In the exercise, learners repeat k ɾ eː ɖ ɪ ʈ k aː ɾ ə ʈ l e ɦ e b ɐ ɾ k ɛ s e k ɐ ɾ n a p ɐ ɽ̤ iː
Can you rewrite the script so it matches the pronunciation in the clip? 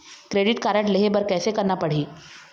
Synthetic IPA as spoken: k ɾ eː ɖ ɪ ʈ k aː ɾ ə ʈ l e ɦ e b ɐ ɾ k ɛː s e k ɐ ɾ n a p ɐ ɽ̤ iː